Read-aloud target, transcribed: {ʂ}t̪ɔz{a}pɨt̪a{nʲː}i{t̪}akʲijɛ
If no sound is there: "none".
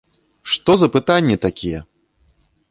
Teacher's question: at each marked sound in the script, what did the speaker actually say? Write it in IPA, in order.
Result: ʂ, ɐ, nʲː, t̪

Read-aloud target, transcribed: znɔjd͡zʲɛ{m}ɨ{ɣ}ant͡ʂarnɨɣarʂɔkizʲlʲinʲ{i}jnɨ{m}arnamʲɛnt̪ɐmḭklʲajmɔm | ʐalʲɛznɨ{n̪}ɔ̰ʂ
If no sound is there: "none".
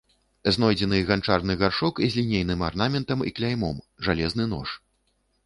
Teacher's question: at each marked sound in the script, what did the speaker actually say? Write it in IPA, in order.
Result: n, ɣ, e, m, n̪

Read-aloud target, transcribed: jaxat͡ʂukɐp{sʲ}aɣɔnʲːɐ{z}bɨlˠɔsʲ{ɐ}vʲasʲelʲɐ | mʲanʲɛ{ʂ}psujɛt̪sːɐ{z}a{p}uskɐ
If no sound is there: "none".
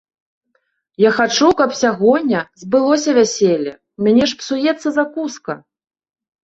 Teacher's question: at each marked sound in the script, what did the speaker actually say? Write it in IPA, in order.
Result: sʲ, z, ɐ, ʂ, z, k

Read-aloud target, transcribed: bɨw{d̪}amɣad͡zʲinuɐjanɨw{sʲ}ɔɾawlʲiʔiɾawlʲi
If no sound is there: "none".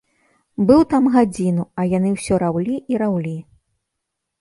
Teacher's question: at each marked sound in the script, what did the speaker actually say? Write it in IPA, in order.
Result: t̪, sʲ

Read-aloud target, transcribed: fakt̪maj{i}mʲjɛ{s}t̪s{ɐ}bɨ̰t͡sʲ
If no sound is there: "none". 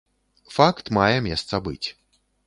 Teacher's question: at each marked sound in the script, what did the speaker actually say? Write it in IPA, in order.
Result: ɛ, s, ɐ

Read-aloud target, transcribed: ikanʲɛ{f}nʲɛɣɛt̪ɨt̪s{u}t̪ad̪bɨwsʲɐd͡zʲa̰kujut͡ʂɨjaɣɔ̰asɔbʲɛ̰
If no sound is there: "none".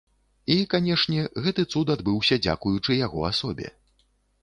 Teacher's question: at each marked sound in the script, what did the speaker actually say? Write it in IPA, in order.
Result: ʂ, u

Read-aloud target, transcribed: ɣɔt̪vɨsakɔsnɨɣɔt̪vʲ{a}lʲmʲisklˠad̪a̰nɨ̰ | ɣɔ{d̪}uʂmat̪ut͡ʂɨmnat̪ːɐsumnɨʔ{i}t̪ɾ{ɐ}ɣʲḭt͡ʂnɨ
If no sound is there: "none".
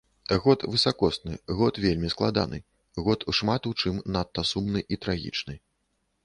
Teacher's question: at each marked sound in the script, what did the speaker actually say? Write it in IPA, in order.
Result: e, t̪, i, a

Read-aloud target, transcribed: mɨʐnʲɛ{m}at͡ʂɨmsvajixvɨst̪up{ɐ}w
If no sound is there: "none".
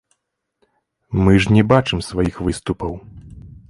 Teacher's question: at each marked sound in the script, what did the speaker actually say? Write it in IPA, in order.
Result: b, ɐ

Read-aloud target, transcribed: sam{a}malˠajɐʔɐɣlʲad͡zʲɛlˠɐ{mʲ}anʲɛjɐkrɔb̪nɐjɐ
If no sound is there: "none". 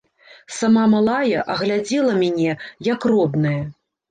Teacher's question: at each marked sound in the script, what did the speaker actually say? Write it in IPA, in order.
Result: a, mʲ

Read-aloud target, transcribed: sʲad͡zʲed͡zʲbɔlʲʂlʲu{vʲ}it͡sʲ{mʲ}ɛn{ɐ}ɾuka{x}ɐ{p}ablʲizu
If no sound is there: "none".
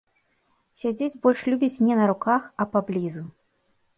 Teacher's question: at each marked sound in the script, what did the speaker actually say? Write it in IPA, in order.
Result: bʲ, nʲ, ɐ, x, p

